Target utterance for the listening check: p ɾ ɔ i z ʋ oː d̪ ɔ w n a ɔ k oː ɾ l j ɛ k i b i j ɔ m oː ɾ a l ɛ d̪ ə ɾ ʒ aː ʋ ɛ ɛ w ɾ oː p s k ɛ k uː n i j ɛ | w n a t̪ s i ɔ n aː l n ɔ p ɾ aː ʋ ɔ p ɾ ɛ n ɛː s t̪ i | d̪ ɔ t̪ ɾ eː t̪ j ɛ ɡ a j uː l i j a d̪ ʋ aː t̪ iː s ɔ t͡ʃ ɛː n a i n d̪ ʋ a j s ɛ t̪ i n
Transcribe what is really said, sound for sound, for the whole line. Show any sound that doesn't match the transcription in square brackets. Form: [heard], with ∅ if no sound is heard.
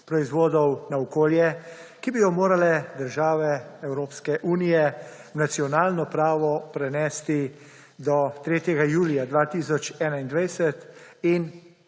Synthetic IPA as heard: p ɾ ɔ i z ʋ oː d̪ ɔ w n a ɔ k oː [∅] l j ɛ k i b i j ɔ m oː ɾ a l ɛ d̪ ə ɾ ʒ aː ʋ ɛ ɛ w ɾ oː p s k ɛ [ʔ] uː n i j ɛ | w n a t̪ s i ɔ n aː l n ɔ p ɾ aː ʋ ɔ p ɾ ɛ n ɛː s t̪ i | d̪ ɔ t̪ ɾ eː t̪ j ɛ ɡ a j uː l i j a d̪ ʋ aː t̪ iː s ɔ t͡ʃ ɛː n a i n d̪ ʋ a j s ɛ t̪ i n

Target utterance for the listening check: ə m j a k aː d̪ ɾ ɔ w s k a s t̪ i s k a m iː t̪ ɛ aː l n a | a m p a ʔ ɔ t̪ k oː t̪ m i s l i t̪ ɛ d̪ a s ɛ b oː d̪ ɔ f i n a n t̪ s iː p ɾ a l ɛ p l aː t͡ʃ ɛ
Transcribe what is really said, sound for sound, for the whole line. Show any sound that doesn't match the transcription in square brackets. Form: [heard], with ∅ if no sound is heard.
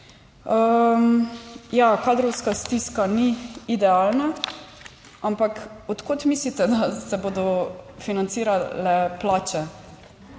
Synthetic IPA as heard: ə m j a k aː d̪ ɾ ɔ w s k a s t̪ i s k a [n] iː [d̪] ɛ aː l n a | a m p a [k] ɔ t̪ k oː t̪ m i s l i t̪ ɛ d̪ a s ɛ b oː d̪ ɔ f i n a n t̪ s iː [∅] ɾ a l ɛ p l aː t͡ʃ ɛ

